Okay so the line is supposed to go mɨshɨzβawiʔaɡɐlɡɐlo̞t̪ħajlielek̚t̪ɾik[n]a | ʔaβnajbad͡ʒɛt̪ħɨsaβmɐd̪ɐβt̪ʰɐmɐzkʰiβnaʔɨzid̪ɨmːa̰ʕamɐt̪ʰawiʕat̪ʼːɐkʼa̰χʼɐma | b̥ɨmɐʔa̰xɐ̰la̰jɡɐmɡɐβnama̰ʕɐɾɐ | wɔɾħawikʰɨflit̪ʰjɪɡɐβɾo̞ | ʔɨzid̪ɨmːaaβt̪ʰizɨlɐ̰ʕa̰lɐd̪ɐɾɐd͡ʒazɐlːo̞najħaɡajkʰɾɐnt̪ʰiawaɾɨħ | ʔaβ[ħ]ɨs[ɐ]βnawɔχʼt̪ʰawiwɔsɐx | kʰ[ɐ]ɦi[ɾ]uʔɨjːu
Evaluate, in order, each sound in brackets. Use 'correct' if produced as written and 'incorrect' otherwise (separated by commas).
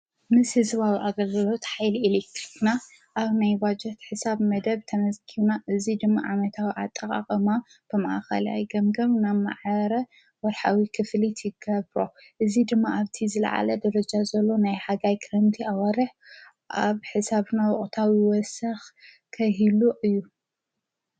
correct, correct, incorrect, correct, incorrect